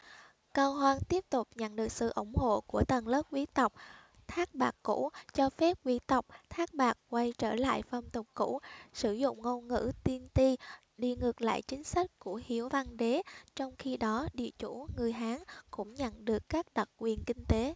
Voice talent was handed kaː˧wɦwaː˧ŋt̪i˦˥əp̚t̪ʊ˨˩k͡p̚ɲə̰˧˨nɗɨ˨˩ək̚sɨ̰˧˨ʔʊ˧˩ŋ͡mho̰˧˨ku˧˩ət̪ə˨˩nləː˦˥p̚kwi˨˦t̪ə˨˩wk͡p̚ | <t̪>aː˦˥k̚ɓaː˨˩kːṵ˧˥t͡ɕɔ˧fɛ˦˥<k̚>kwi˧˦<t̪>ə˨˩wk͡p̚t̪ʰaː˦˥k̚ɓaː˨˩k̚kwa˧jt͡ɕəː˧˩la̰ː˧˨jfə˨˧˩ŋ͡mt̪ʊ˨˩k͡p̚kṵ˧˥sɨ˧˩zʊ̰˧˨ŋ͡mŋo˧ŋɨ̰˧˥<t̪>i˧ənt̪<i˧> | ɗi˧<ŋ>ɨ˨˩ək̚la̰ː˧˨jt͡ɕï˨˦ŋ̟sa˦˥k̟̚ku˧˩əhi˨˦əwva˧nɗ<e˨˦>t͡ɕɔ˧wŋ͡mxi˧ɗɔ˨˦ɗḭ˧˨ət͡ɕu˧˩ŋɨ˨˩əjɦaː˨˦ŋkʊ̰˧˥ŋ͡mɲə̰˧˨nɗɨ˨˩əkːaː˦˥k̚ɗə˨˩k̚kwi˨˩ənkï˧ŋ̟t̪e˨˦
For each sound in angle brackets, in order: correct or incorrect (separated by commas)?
incorrect, incorrect, correct, correct, correct, correct, correct